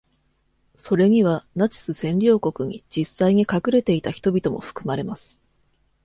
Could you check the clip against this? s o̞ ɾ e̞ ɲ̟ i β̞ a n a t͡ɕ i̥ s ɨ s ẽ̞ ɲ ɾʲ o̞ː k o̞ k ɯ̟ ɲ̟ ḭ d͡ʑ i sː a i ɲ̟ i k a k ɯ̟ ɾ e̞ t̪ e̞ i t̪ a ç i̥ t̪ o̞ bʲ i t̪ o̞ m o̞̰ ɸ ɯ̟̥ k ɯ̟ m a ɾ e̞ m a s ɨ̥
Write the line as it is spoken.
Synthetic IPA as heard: s o̞ ɾ e̞ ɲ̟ i β̞ a n a t͡ɕ i̥ s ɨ s ẽ̞ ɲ ɾʲ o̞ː k o̞ k ɯ̟ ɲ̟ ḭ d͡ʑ i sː a i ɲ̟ i k a k ɯ̟ ɾ e̞ t̪ e̞ i t̪ a ç i̥ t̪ o̞ bʲ i t̪ o̞ m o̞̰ ɸ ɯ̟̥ k ɯ̟ m a ɾ e̞ m a s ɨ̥